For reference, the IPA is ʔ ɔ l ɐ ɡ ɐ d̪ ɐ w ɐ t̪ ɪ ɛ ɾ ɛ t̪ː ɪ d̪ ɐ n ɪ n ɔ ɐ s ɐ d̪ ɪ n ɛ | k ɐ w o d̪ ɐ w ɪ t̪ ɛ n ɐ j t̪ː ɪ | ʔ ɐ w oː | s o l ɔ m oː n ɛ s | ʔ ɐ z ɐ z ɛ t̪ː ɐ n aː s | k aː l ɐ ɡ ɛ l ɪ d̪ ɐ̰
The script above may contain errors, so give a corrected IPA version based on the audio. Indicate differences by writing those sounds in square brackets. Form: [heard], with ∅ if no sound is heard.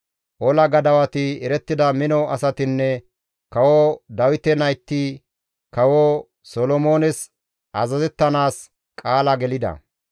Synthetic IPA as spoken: ʔ ɔ l ɐ ɡ ɐ d̪ ɐ w ɐ t̪ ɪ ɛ ɾ ɛ t̪ː ɪ d̪ ɐ [m] ɪ n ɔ ɐ s ɐ [t̪] ɪ [nː] ɛ | k ɐ w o d̪ ɐ w ɪ t̪ ɛ n ɐ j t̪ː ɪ | [k] ɐ w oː | s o l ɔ m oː n ɛ s | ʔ ɐ z ɐ z ɛ t̪ː ɐ n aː s | [kʼ] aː l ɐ ɡ ɛ l ɪ d̪ ɐ̰